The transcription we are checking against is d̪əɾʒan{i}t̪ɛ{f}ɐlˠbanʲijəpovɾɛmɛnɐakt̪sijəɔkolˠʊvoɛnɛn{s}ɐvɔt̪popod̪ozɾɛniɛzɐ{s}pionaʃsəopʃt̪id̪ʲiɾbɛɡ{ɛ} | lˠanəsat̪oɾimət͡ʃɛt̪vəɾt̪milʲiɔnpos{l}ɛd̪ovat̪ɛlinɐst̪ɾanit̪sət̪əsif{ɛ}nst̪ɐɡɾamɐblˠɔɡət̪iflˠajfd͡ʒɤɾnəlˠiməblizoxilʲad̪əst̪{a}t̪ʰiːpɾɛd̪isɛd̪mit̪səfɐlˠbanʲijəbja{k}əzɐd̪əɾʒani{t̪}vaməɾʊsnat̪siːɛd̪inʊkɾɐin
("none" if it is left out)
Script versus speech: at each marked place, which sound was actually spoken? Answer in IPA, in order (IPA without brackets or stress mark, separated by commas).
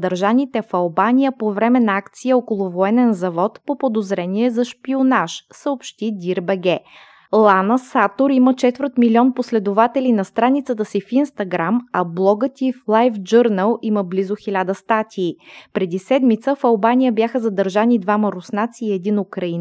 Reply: i, f, z, ʃ, ɛ, l, i, a, x, d̪